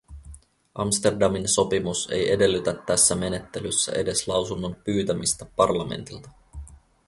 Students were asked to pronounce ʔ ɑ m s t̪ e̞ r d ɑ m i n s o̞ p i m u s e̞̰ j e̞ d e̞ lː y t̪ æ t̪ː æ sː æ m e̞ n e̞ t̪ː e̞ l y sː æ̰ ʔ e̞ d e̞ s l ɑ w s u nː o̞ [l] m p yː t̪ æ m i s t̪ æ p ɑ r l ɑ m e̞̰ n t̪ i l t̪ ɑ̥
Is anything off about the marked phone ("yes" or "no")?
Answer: yes